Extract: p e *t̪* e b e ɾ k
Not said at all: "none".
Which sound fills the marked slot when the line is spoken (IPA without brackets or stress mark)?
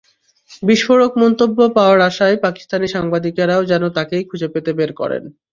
t̪